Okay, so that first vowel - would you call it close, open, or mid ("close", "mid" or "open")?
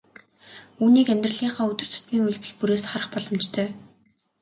close